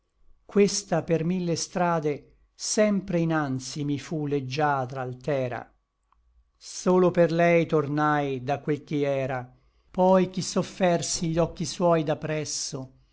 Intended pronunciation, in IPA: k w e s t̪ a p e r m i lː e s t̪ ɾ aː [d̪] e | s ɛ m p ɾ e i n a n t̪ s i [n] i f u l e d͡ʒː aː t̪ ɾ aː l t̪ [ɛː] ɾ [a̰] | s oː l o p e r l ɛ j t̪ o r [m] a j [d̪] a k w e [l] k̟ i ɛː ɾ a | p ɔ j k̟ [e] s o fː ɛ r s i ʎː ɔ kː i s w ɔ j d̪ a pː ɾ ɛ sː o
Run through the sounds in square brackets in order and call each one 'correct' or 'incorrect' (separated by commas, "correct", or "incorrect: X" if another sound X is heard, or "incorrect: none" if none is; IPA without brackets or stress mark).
correct, incorrect: m, correct, correct, incorrect: n, correct, correct, incorrect: i